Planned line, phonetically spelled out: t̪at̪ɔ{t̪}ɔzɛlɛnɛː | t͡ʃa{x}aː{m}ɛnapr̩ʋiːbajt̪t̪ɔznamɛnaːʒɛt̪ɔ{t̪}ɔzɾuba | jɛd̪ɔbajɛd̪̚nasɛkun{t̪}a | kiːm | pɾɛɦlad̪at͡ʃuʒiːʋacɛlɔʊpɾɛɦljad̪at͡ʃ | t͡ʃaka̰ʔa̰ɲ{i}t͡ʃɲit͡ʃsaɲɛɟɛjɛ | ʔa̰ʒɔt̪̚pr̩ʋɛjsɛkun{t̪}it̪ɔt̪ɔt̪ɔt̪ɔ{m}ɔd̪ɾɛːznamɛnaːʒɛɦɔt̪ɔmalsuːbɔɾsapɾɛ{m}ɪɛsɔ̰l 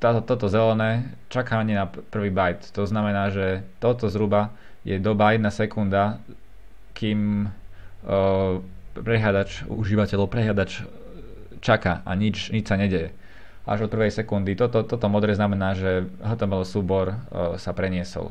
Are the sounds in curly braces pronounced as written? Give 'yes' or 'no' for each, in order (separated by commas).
yes, no, no, yes, no, yes, no, yes, no